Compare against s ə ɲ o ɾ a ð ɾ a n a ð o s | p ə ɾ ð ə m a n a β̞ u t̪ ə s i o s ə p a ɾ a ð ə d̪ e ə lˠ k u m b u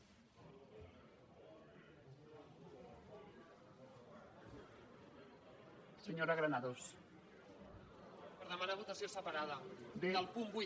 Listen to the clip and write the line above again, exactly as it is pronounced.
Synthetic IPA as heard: s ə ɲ o ɾ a ɣ ɾ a n a ð o s | p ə ɾ ð ə m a n a β̞ u t̪ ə s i o s ə p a ɾ a ð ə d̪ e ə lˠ p u m b u

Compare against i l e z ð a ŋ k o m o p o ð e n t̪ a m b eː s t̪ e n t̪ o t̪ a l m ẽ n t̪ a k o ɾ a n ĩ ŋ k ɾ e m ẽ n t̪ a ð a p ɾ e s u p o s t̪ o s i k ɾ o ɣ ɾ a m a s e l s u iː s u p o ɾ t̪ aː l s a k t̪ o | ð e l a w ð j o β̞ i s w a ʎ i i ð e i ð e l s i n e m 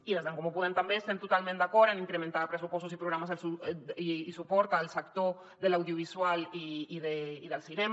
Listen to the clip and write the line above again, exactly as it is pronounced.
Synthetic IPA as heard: i l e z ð a ŋ k o m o p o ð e n t̪ a m b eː s t̪ e n t̪ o t̪ a l m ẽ n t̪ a k o ɾ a n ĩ ŋ k ɾ e m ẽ n t̪ a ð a p ɾ e s u p o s t̪ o s i p ɾ o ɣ ɾ a m a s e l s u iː s u p o ɾ t̪ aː l s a k t̪ o | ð e l a w ð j o β̞ i s w a l i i ð e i ð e l s i n e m

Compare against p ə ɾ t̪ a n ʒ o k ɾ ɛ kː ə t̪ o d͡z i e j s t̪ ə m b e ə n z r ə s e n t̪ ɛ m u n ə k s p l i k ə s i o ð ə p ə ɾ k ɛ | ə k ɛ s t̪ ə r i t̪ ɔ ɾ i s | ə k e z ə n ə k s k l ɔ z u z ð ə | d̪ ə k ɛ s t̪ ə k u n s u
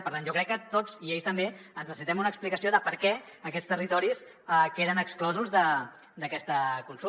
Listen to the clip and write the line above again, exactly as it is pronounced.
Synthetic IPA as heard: p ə ɾ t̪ a n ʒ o k ɾ ɛ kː ə t̪ o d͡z i e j s t̪ ə m b e ə n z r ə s i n t̪ ɛ m u n ə k s p l i k ə s i o ð ə p ə ɾ k ɛ | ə k ɛ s t̪ ə r i t̪ ɔ ɾ i s | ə k e ð ə n ə k s k l ɔ z u z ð ə | d̪ ə k ɛ s t̪ ə k u n s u

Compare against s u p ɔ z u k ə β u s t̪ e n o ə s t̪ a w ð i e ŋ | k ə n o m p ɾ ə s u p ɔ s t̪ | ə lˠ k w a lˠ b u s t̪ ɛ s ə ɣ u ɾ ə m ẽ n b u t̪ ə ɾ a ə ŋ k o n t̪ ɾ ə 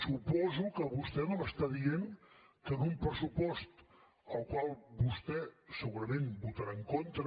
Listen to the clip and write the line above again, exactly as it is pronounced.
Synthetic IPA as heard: s u p ɔ z u k ə β u s t̪ ɛ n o ə s t̪ a ð i e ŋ | k ə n u m p ɾ ə s u p ɔ s t̪ | ə lˠ k w a lˠ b u s t̪ ɛ s ə ɣ u ɾ ə m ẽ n b u t̪ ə ɾ a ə ŋ k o n t̪ ɾ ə

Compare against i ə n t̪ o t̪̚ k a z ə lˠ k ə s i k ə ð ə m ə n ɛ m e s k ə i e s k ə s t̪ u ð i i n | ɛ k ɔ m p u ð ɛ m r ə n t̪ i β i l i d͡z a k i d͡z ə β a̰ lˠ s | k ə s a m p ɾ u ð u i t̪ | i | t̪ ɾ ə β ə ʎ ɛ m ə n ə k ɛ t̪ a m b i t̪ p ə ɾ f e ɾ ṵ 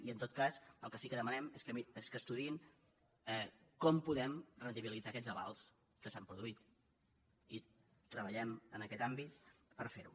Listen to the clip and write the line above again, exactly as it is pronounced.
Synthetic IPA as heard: i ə n t̪ o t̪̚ k a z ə lˠ k ə s i k ə ð ə m ə n ɛ m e s k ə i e s k ə s t̪ u ð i i n | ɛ k ɔ m p u ð ɛ m r ə n t̪ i β i l i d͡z a k ɛ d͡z ə β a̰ lˠ s | k ə s a m p ɾ u ð u i t̪ | i | t̪ ɾ ə β ə ʎ ɛ m ə n ə k ɛ t̪ a m b i t̪ p ə ɾ f e ɾ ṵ

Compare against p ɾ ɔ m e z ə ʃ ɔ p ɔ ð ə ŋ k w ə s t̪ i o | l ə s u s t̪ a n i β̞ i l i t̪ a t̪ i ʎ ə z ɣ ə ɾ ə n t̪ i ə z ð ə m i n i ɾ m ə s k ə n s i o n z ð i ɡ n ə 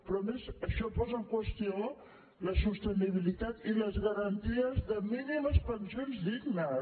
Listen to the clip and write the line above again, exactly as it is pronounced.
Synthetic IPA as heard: p ɾ ɔ m e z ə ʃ ɔ p ɔ z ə ŋ k w ə s t̪ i o | l ə s u s t̪ ə n i β̞ i l i t̪ a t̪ i l ə z ɣ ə ɾ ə n t̪ i ə z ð ə m i n i m ə s p ə n s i o n z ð i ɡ n ə

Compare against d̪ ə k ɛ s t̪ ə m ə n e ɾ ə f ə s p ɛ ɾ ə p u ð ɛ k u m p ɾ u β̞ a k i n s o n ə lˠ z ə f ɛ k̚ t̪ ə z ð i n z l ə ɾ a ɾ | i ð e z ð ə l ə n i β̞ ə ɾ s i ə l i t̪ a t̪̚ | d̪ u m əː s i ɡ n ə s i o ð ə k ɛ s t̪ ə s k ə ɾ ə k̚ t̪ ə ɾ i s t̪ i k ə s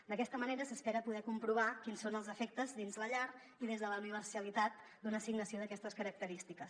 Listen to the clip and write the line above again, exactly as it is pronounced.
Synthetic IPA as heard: d̪ ə k ɛ s t̪ ə m ə n e ɾ ə s ə s p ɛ ɾ ə p u ð ɛ k u m p ɾ u β̞ a k i n s o n ə lˠ z ə f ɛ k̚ t̪ ə z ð i n z l ə ʎ a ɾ | i ð e z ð ə l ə n i β̞ ə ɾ s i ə l i t̪ a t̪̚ | d̪ u n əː s i ɡ n ə s i o ð ə k ɛ s t̪ ə s k ə ɾ ə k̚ t̪ ə ɾ i s t̪ i k ə s

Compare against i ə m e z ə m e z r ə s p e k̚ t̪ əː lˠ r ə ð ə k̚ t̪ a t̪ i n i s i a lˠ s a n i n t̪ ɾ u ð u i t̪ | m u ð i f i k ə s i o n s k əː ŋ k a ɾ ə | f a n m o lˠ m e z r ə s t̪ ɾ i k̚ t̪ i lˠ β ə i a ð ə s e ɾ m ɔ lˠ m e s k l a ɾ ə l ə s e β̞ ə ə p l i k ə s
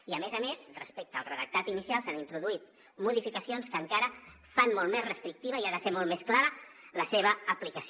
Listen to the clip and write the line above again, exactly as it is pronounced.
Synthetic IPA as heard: i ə m e z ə m e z r ə s p e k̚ t̪ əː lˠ r ə ð ə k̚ t̪ a t̪ i n i s i a lˠ s a n i n t̪ ɾ u ð u i t̪ | m u ð i f i k ə s i o n s k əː ŋ k a ɾ ə | f a n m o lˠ m e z r ə s t̪ ɾ i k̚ t̪ i β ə i a ð ə s e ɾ m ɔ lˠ m e s k l a ɾ ə l ə s e β̞ ə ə p l i k ə s

